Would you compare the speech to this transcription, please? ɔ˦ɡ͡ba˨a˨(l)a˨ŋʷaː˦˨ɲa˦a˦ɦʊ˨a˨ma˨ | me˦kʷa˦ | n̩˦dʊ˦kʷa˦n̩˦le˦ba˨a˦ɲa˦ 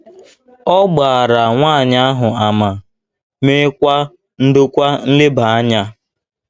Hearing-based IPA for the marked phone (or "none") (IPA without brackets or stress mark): ɾ